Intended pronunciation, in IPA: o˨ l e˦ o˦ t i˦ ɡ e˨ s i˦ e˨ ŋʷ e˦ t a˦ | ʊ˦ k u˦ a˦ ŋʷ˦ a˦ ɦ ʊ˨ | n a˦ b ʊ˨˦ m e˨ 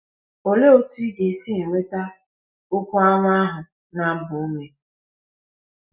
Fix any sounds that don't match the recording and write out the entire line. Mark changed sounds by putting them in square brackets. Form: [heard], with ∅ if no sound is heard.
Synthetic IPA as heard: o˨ l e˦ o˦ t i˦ ɡ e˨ s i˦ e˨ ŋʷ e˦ t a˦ | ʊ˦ k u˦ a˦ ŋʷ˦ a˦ ɦ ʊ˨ | n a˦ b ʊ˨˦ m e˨

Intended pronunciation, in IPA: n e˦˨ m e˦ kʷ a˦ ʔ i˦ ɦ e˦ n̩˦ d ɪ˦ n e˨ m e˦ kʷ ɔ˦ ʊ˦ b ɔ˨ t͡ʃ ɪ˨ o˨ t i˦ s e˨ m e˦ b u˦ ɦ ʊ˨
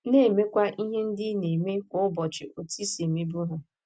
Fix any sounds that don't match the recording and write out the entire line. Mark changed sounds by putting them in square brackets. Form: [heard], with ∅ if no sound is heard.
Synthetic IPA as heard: n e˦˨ m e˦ kʷ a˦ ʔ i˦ ɦ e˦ n̩˦ d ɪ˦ n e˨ m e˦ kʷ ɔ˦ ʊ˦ b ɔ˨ t͡ʃ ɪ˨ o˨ t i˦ s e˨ m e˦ b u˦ ɦ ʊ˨

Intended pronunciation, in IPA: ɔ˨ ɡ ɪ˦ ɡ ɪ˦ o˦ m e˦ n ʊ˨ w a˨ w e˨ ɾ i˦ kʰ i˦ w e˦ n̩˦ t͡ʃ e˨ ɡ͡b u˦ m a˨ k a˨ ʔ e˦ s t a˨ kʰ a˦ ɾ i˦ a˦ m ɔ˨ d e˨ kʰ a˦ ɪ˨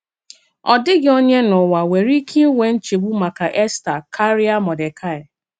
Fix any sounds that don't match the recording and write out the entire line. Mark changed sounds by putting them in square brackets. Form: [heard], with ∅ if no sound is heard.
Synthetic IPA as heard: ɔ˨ [d] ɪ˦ ɡ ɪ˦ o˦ [ɲ] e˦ n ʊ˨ w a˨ w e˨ ɾ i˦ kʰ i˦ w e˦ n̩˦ t͡ʃ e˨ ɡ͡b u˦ m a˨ k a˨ ʔ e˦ s t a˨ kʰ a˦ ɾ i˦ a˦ m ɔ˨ d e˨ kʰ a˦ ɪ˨

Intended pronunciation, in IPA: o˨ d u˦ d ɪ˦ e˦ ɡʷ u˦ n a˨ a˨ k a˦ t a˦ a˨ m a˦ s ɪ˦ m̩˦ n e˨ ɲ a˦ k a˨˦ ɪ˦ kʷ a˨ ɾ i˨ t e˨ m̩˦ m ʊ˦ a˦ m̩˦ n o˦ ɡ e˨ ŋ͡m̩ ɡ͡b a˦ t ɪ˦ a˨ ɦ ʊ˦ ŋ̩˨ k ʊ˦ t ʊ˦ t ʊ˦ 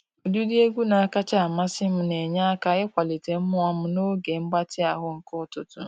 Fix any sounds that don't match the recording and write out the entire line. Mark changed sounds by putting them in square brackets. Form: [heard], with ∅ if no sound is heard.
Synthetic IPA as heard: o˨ d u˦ d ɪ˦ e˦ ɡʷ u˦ n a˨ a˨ k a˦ [t͡ʃ] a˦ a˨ m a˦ s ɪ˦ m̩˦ n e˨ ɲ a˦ k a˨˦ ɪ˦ kʷ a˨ [l] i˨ t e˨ m̩˦ m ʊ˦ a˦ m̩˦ n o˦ ɡ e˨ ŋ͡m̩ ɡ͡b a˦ t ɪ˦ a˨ ɦ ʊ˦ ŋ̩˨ k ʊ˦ t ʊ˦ t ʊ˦

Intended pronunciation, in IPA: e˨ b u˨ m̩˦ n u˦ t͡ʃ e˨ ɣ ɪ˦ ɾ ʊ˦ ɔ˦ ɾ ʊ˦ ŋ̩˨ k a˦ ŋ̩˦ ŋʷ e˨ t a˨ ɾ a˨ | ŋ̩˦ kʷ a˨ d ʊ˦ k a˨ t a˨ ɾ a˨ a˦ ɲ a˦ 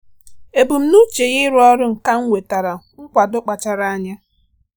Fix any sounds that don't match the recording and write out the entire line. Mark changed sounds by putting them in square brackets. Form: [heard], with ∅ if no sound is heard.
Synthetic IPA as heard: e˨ b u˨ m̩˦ n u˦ t͡ʃ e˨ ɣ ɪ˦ ɾ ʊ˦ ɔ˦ ɾ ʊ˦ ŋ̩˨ k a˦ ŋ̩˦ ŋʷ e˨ t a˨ ɾ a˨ | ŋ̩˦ kʷ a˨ d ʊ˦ [k͡p] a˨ [t͡ʃ] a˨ ɾ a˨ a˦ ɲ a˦

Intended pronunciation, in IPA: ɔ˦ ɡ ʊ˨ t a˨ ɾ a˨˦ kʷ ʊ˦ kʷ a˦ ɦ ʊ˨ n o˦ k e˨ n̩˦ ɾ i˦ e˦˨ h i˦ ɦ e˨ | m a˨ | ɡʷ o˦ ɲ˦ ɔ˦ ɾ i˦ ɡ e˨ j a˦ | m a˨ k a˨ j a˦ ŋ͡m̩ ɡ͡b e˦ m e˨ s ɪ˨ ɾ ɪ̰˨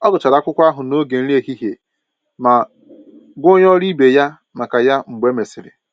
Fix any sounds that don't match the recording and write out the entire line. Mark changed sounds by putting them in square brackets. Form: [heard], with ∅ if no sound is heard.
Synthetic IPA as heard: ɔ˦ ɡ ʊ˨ [t͡ʃ] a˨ ɾ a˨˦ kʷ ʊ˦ kʷ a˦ ɦ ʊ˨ n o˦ [ɡ] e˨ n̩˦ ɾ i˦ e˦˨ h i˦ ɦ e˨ | m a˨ | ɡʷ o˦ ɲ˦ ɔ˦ ɾ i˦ [b] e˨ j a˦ | m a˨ k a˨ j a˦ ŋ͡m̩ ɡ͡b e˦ m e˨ s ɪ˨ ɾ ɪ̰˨

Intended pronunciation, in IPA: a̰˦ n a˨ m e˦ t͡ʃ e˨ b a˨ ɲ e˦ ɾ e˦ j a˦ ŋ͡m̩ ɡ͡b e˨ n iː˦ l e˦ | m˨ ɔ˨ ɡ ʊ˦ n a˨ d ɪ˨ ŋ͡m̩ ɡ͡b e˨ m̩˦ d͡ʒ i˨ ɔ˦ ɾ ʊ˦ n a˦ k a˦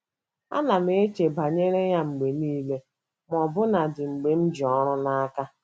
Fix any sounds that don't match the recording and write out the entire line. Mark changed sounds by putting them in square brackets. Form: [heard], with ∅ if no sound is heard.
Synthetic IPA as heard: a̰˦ n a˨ m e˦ t͡ʃ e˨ b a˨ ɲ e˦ ɾ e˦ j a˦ ŋ͡m̩ ɡ͡b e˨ n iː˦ l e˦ | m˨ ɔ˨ [b] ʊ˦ n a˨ d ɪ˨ ŋ͡m̩ ɡ͡b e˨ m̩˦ d͡ʒ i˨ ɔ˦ ɾ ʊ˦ n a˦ k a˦

